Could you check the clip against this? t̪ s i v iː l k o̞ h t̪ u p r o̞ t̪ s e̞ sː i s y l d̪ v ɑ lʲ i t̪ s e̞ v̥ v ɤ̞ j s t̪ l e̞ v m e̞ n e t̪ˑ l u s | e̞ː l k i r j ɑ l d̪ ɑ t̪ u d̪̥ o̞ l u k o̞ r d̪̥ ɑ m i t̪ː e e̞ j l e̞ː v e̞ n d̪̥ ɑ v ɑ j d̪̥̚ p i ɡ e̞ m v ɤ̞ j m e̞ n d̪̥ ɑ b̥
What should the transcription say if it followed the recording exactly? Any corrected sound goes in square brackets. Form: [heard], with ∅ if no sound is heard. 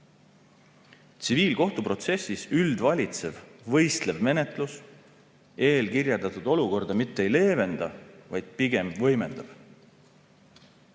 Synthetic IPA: t̪ s i v iː l k o̞ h t̪ u p r o̞ t̪ s e̞ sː i s y l d̪ v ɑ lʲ i t̪ s e̞ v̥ v ɤ̞ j s t̪ l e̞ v m e̞ n e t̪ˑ l u s | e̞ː l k i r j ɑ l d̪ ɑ t̪ u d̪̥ o̞ l u k o̞ r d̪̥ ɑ m i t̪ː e e̞ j l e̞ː v e̞ n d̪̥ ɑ v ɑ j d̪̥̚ p i ɡ e̞ m v ɤ̞ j m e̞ n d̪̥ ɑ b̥